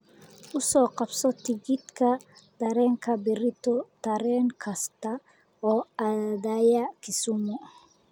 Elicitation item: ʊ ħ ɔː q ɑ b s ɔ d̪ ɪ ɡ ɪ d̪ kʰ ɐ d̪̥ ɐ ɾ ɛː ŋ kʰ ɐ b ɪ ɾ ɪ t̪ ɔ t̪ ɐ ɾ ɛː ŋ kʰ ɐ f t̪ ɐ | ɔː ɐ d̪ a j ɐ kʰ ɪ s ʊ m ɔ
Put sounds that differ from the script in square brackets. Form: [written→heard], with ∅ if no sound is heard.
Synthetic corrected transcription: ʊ [ħ→s] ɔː q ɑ b s ɔ [d̪→t̪] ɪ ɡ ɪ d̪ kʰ ɐ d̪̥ ɐ ɾ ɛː ŋ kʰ ɐ b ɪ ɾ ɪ t̪ ɔ t̪ ɐ ɾ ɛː ŋ kʰ ɐ [f→s] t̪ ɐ | ɔː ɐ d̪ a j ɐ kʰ ɪ s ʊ m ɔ